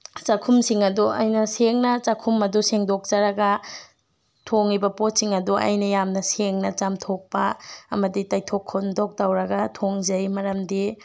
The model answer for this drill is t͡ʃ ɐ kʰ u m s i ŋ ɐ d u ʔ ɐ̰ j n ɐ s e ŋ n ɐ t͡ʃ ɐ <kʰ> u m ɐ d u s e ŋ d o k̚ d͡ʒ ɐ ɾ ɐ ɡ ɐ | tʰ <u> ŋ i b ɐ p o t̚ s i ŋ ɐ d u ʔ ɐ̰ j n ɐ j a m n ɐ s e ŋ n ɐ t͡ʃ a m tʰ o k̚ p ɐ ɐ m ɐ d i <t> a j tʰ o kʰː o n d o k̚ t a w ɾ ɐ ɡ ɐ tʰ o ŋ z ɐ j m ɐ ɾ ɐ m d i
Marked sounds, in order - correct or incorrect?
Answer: correct, incorrect, correct

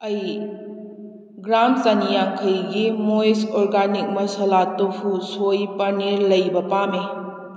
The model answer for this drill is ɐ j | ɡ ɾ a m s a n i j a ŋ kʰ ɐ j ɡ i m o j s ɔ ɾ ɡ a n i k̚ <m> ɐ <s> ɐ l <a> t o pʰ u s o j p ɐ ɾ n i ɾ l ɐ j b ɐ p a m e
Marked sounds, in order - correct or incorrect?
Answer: correct, correct, correct

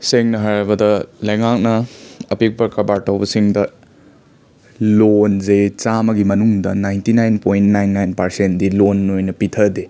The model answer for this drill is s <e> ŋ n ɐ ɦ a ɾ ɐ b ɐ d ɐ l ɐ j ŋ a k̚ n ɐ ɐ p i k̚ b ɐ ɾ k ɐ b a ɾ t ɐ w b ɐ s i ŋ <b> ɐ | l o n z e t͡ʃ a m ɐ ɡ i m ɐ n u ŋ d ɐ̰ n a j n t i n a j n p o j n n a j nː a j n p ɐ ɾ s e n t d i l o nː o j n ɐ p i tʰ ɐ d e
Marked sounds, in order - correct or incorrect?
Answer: correct, incorrect

